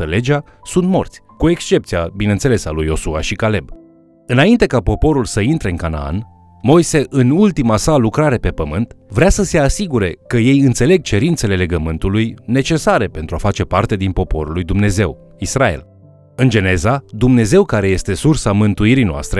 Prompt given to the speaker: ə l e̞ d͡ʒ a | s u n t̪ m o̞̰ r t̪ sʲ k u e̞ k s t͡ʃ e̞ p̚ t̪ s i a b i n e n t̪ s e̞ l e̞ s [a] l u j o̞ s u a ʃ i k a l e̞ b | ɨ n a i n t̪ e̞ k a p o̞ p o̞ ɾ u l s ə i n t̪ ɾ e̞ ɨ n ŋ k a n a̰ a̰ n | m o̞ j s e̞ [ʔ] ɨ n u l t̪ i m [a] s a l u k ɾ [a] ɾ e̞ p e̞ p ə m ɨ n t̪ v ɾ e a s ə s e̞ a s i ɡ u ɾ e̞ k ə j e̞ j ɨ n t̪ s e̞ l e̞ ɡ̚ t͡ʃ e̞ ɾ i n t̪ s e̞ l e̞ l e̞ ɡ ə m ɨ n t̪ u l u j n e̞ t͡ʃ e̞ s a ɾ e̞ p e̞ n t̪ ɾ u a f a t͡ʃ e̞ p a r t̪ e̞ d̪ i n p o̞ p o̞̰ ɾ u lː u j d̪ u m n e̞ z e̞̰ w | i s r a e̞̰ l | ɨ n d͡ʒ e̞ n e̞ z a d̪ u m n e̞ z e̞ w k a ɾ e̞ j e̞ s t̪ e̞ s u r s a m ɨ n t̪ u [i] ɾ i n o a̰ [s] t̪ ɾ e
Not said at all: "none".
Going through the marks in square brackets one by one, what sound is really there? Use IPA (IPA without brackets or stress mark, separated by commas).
a, ʔ, a, a, i, s